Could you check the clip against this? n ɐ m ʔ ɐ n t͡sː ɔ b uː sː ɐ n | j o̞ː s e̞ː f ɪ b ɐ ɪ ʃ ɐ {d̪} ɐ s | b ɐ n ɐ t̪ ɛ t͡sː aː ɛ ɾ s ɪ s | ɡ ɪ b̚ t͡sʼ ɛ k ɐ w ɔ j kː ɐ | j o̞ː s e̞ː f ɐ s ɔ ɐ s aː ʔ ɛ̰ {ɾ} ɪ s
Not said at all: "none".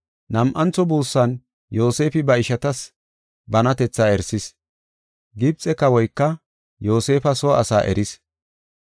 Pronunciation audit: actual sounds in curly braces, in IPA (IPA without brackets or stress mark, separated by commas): t̪, ɾ